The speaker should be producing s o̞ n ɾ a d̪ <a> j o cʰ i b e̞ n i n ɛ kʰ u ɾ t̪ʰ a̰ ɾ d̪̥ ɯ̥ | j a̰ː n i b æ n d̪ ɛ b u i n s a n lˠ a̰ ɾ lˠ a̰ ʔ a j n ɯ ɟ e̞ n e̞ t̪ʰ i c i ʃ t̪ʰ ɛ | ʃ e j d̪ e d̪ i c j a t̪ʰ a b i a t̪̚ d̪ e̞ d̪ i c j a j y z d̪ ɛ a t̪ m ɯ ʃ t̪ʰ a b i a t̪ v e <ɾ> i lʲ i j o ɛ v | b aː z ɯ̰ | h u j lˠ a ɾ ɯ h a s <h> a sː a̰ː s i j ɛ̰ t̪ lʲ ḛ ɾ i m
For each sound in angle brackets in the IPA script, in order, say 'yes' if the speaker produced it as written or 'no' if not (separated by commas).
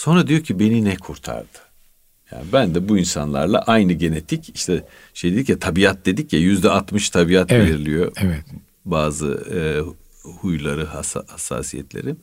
no, yes, yes